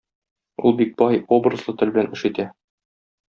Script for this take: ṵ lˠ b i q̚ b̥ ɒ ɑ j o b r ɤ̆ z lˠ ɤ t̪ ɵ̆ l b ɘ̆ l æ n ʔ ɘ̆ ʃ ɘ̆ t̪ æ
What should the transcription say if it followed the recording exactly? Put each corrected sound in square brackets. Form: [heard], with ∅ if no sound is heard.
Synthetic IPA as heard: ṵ lˠ b i [k̚] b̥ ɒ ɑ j o b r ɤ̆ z lˠ ɤ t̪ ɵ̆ l b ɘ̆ l æ n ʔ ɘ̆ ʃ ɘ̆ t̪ æ

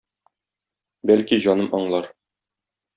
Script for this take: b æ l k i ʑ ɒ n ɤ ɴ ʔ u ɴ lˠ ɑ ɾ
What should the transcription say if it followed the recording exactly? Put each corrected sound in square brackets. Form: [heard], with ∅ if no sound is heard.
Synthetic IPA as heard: b æ l k i ʑ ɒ n ɤ [m] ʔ [ɒ] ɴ lˠ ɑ ɾ

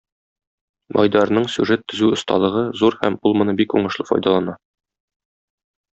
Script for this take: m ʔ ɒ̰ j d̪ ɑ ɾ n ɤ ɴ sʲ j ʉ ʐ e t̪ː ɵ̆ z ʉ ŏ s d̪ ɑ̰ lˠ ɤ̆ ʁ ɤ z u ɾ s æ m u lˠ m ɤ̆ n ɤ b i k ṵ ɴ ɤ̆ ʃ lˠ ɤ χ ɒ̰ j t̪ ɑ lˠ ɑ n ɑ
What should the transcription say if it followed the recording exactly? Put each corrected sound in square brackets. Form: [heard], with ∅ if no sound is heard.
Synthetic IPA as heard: m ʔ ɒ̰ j d̪ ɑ ɾ n ɤ ɴ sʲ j ʉ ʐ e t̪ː ɵ̆ z ʉ ŏ s [t̪] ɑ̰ lˠ ɤ̆ ʁ ɤ z u ɾ [h] æ m u lˠ m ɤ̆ n ɤ b i k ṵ ɴ ɤ̆ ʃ lˠ ɤ [f] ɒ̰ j [d̪] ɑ lˠ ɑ n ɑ

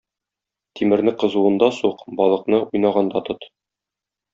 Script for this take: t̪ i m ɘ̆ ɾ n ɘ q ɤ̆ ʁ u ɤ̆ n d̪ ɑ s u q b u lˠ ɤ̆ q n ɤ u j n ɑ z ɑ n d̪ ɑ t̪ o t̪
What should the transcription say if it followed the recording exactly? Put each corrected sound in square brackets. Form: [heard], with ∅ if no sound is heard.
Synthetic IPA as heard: t̪ i m ɘ̆ ɾ n ɘ q ɤ̆ [z] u ɤ̆ n d̪ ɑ s u q b [ɒ] lˠ ɤ̆ q n ɤ u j n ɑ [ʁ] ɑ n d̪ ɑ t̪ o t̪

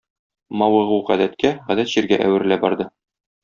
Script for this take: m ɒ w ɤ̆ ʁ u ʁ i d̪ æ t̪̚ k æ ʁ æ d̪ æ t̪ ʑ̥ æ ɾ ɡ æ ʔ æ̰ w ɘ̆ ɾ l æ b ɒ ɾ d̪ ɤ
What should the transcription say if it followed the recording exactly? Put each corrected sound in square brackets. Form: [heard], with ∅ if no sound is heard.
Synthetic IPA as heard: m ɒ w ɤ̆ ʁ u ʁ [æ] d̪ æ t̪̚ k æ ʁ æ d̪ æ t̪ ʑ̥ [i] ɾ ɡ æ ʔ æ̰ w ɘ̆ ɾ l æ b ɒ ɾ d̪ ɤ

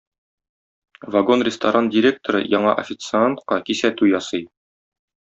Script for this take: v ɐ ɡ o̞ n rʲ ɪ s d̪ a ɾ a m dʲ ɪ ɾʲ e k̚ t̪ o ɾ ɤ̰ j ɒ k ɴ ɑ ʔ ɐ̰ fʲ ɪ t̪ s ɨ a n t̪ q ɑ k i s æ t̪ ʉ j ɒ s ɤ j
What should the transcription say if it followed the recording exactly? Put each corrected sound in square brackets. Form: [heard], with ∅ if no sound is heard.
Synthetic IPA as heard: v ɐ ɡ o̞ n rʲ ɪ s [t̪] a ɾ a [n] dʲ ɪ ɾʲ e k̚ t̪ o ɾ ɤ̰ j ɒ [∅] ɴ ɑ ʔ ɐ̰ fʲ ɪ t̪ s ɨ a n t̪ q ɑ k i s æ t̪ ʉ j ɒ s ɤ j

